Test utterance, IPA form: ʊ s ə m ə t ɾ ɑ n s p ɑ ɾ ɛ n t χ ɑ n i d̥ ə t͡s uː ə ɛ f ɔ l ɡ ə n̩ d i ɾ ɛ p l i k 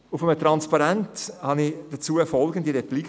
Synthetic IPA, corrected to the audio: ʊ f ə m ə t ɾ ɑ n s p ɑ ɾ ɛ n t h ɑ n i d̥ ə t͡s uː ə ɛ f ɔ l ɡ ə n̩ d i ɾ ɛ p l i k